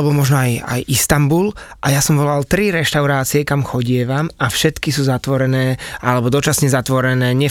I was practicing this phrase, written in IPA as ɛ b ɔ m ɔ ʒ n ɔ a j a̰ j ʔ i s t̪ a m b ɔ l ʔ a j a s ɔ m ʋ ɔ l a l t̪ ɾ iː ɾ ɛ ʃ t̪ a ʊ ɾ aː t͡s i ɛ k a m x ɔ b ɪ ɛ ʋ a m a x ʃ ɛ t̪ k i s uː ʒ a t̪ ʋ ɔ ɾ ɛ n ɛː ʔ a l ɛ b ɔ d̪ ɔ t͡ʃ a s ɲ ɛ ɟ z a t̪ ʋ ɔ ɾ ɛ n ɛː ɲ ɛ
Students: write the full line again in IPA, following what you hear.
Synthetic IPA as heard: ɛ b ɔ m ɔ ʒ n ɔ a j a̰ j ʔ i s t̪ a m b u l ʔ a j a s ɔ m ʋ ɔ l a l t̪ ɾ i ɾ ɛ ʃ t̪ a ʊ ɾ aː t͡s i ɛ k a m x ɔ ɟ ɪ ɛ ʋ a m a f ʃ ɛ t̪ k i s uː z a t̪ ʋ ɔ ɾ ɛ n ɛː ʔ a l ɛ b ɔ d̪ ɔ t͡ʃ a s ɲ ɛ z a t̪ ʋ ɔ ɾ ɛ n ɛː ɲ ɛ